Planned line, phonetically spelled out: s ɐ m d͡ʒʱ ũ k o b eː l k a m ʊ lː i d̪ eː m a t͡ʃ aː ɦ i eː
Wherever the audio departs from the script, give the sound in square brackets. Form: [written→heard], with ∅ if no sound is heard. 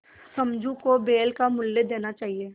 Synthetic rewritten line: s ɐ m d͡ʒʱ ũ k o b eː l k a m ʊ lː [i→e] d̪ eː [m→n] a t͡ʃ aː ɦ i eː

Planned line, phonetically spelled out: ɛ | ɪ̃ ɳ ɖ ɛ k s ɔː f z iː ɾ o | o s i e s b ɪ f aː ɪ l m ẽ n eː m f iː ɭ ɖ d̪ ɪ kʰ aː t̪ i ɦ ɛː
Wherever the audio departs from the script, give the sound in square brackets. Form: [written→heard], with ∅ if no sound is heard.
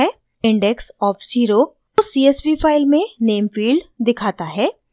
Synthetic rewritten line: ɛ | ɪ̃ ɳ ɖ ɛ k s ɔː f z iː ɾ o | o s i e s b [ɪ→i] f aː ɪ l m ẽ n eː m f iː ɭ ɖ d̪ ɪ kʰ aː t̪ [i→a] ɦ ɛː

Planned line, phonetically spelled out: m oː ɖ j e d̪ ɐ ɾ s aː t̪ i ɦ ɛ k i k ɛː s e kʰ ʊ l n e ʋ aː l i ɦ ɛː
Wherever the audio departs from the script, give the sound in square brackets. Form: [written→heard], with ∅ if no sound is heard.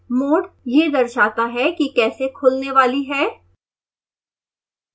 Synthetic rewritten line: m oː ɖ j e d̪ ɐ ɾ [s→ʃ] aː t̪ [i→a] ɦ ɛ k i k ɛː s e kʰ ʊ l n e ʋ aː l i ɦ ɛː

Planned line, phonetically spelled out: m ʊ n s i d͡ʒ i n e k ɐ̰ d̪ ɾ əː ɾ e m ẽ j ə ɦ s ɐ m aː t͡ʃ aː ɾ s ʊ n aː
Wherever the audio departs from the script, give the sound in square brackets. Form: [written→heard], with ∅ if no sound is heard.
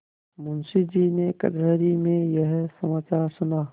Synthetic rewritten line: m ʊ n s i d͡ʒ i n e k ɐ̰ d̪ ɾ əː ɾ [e→i] m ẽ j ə ɦ s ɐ m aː t͡ʃ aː ɾ s ʊ n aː

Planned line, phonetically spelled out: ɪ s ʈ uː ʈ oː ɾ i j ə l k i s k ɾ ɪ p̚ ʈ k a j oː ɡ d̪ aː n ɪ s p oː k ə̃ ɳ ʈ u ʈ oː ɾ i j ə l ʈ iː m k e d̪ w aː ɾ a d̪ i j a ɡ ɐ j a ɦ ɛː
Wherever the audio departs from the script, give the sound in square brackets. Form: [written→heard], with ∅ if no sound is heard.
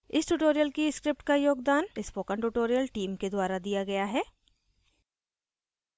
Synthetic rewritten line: ɪ s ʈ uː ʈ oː ɾ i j ə l k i s k ɾ ɪ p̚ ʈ k a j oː ɡ d̪ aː n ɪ s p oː k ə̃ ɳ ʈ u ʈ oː ɾ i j ə l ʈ iː m k e d̪ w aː ɾ a d̪ i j a ɡ ɐ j a ɦ ɛː

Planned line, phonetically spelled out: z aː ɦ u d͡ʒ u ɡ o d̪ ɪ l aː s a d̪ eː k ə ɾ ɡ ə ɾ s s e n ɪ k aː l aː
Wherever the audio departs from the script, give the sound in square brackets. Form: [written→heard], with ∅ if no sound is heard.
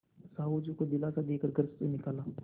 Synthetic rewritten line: [z→s] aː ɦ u d͡ʒ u [ɡ→k] o d̪ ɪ l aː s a d̪ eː k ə ɾ ɡ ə ɾ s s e n ɪ k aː l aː

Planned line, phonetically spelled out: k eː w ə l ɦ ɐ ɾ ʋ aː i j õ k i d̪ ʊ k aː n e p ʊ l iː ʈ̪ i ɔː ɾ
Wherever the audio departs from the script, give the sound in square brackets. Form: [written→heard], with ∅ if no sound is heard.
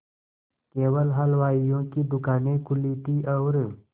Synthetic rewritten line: k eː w ə l ɦ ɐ [ɾ→l] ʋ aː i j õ k i d̪ ʊ k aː n e [p→k] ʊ l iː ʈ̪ i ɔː ɾ

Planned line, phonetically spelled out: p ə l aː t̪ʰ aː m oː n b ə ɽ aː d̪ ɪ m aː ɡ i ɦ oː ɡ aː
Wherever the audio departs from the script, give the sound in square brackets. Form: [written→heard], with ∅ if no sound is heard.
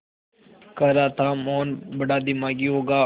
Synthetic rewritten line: [p→k] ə [l→ɾ] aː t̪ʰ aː m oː n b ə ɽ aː d̪ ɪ m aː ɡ i ɦ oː ɡ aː

